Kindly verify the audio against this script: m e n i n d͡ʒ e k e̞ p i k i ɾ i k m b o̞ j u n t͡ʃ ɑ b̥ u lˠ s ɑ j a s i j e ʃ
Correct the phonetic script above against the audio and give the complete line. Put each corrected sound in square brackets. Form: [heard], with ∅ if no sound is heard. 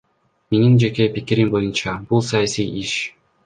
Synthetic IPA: m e n i n d͡ʒ e k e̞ p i k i ɾ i [∅] m b o̞ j u n t͡ʃ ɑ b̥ u lˠ s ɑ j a s i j [i] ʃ